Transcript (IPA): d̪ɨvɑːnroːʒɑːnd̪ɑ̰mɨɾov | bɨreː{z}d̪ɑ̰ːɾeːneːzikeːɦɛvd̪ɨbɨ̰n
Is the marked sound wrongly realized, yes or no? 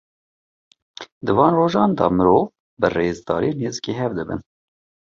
no